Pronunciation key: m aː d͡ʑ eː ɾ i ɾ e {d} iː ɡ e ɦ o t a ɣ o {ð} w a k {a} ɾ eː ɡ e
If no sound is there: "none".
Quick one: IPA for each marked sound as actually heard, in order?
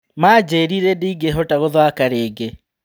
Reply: d, ð, a

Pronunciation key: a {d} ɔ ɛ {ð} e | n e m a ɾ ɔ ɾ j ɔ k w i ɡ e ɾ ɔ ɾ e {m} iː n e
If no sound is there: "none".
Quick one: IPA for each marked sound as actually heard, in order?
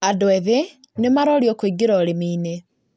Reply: d, ð, m

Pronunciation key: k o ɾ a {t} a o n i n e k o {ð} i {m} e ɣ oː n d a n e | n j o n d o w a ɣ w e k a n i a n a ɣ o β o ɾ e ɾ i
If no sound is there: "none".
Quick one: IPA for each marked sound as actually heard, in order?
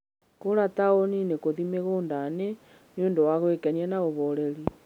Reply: t, ð, m

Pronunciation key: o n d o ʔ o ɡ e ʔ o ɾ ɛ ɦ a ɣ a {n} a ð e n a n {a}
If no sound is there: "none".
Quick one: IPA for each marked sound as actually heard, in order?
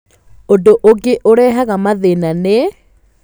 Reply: m, e

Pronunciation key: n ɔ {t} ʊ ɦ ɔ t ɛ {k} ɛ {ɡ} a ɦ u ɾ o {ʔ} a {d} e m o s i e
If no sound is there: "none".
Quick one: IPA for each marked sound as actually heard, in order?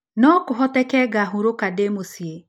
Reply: k, k, ɡ, k, d

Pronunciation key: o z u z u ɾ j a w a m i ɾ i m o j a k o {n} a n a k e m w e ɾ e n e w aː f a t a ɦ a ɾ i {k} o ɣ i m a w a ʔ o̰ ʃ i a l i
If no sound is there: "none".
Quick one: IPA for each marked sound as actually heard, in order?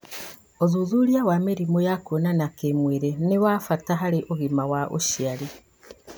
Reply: n, ʔ

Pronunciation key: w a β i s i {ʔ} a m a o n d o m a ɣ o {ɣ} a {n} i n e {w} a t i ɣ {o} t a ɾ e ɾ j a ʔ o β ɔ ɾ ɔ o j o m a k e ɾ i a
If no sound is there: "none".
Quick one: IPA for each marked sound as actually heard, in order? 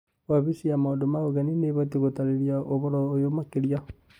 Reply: none, ɣ, n, β, o

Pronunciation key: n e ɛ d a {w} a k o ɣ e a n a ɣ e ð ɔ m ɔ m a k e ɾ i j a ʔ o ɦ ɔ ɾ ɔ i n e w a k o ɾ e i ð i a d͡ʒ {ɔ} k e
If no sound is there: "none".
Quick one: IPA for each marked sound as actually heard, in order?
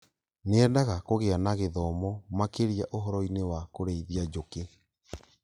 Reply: ɣ, o

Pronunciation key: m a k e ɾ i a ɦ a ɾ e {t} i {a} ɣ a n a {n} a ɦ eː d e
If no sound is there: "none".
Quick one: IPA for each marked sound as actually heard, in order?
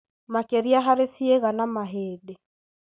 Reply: s, e, m

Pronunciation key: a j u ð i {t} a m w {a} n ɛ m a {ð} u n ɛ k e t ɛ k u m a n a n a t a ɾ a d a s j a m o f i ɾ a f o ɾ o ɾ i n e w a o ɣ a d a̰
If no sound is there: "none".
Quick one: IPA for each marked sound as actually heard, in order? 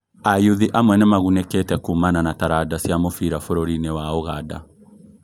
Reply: ʔ, ɛ, ɣ

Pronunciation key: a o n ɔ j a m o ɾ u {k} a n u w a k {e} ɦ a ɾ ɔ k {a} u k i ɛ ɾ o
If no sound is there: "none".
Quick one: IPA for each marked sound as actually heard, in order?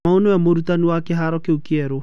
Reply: t, e, e

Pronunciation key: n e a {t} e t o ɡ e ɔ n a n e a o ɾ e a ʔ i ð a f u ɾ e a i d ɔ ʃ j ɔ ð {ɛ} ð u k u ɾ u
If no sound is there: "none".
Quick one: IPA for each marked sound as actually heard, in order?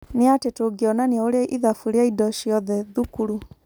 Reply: t, ɛ

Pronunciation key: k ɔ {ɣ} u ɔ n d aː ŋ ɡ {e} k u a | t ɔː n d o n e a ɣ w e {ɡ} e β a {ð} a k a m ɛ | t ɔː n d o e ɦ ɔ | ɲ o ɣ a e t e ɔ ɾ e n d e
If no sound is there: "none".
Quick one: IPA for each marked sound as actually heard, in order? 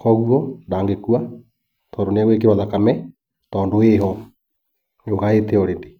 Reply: ɣ, e, k, ð

